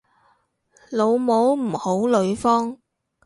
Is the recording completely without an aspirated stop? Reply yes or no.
yes